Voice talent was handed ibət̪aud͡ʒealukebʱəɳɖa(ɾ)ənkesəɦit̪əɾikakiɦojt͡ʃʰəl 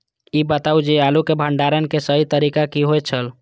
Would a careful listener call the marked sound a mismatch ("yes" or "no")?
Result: no